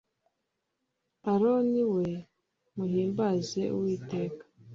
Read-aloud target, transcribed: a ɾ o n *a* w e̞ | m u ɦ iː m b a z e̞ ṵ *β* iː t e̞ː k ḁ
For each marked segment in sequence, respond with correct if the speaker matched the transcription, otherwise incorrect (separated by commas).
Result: incorrect, incorrect